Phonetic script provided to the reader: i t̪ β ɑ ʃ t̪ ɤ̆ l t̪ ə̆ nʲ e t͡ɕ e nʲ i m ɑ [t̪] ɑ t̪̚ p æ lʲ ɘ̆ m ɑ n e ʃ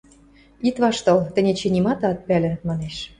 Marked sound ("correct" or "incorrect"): correct